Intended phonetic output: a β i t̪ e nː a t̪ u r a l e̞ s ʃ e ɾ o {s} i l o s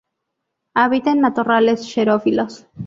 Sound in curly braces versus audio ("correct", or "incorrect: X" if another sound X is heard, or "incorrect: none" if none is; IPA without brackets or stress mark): incorrect: f